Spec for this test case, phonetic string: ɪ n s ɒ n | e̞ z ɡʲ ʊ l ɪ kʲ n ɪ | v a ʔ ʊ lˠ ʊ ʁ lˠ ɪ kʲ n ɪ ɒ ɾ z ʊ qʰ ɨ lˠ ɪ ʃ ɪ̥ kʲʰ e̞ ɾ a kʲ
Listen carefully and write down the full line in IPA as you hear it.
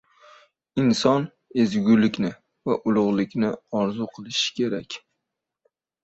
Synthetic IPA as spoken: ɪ n s ɒ n | e̞ z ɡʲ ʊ l ɪ kʲ n ɪ | v a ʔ ʊ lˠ ʊ ʁ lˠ ɪ kʲ n ɪ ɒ ɾ z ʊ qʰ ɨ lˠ ɪ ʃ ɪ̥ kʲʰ e̞ ɾ a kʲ